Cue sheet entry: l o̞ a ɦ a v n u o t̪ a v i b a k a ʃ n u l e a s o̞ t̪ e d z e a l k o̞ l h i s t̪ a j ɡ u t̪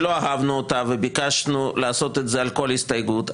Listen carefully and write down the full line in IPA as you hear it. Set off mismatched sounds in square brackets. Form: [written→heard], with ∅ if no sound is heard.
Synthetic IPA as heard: l o̞ a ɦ a v n u o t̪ a v [i→e] b [a→i] k a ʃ n u l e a s o̞ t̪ e [d→t] z e a l k o̞ l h i s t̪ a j ɡ u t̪